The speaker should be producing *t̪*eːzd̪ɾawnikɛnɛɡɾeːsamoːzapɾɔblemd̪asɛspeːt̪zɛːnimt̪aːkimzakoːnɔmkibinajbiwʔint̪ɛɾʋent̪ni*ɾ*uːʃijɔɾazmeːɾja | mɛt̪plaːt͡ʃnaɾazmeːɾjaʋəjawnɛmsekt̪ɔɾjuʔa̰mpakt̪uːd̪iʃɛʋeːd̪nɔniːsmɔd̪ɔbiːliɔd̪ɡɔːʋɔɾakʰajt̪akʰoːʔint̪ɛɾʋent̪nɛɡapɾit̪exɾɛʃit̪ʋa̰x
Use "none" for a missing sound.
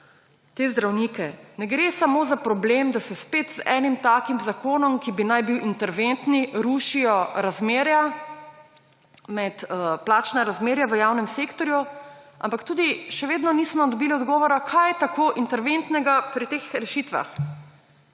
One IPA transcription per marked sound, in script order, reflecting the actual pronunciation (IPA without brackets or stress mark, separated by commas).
t̪, ɾ